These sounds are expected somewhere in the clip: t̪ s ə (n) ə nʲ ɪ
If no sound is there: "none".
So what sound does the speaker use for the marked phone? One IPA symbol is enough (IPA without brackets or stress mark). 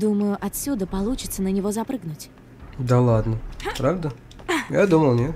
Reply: n